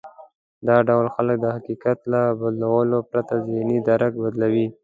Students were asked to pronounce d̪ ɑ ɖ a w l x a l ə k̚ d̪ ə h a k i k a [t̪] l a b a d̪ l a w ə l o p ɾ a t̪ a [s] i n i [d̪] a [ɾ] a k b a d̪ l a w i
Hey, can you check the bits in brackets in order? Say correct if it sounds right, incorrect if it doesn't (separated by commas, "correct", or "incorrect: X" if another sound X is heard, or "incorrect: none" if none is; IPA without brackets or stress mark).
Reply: correct, incorrect: z, correct, correct